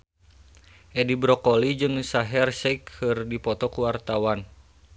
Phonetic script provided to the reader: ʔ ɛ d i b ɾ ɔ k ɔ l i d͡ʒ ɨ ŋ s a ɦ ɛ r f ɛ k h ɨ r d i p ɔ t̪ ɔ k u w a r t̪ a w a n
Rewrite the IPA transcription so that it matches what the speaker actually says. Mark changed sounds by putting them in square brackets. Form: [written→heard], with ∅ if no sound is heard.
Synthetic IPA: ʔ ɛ d i b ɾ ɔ k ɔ l i d͡ʒ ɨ ŋ s a ɦ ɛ r [f→s] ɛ k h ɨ r d i p ɔ t̪ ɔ k u w a r t̪ a w a n